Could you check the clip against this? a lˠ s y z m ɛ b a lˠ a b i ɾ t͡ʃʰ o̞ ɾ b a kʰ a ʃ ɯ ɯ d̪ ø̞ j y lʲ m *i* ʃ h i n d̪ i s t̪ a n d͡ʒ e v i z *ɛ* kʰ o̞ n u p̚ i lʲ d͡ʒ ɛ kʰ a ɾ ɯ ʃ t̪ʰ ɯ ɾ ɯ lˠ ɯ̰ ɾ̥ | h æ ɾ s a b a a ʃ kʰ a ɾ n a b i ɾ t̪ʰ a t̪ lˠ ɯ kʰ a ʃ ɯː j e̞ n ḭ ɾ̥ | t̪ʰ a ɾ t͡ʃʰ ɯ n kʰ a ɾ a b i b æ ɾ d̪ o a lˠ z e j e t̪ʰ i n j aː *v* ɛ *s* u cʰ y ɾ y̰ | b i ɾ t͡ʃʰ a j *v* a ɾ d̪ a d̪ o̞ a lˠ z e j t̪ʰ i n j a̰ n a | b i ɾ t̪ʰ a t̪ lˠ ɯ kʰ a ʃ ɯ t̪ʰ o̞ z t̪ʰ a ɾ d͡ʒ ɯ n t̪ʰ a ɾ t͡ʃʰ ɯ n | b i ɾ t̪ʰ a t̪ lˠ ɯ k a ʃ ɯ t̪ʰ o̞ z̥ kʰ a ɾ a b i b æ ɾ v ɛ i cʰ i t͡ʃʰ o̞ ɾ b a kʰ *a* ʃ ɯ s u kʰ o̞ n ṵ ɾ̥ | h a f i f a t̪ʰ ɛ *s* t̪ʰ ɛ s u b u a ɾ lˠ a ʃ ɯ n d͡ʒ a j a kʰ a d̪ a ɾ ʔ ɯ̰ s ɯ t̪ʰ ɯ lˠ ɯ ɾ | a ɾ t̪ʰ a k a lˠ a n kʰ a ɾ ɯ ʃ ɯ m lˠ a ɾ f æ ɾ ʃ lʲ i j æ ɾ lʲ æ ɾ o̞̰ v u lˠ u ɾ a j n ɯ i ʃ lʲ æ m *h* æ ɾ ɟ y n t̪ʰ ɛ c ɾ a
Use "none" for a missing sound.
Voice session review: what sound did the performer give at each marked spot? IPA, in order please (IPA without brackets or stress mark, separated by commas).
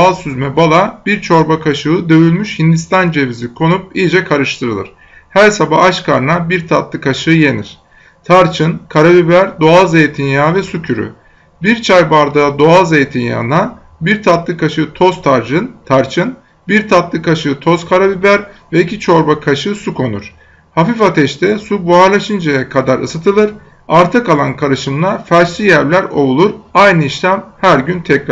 y, i, v, s, b, a, ʃ, h